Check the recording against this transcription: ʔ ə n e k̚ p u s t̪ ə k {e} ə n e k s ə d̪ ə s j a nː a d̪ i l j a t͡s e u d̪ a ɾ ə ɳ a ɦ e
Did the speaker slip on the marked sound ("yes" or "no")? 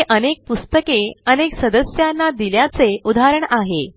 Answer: no